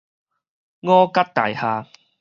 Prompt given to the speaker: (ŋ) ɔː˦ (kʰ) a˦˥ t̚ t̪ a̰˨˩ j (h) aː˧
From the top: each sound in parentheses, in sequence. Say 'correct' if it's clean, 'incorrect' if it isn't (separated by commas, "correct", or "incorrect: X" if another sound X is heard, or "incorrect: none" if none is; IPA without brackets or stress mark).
correct, incorrect: k, correct